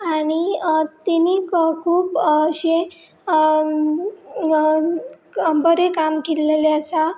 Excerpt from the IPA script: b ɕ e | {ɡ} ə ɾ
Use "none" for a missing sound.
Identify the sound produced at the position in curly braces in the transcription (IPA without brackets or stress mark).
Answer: b